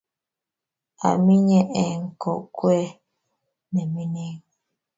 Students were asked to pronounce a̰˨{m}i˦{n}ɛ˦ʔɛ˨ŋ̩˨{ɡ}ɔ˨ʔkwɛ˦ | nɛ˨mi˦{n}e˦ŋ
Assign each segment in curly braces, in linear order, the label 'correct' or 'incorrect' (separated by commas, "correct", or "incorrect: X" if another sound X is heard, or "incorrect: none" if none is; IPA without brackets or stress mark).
correct, incorrect: ɲ, incorrect: k, correct